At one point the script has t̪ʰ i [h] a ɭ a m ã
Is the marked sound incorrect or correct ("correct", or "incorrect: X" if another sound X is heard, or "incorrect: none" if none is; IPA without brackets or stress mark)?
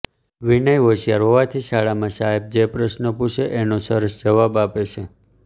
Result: incorrect: ʃ